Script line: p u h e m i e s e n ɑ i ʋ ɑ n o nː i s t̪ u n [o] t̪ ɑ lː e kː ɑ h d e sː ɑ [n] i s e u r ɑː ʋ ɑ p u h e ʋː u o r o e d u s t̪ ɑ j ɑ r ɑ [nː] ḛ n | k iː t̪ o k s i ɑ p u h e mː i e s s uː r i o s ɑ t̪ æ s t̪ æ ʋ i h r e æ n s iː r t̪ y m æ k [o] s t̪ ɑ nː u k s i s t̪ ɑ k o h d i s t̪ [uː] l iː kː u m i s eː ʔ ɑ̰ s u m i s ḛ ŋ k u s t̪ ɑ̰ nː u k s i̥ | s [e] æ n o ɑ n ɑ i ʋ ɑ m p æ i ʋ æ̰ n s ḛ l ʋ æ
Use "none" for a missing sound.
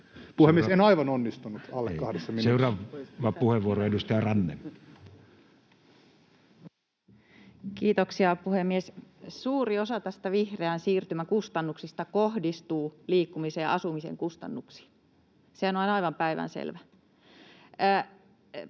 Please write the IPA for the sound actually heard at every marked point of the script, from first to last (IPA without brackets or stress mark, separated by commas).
u, m, nː, u, uː, e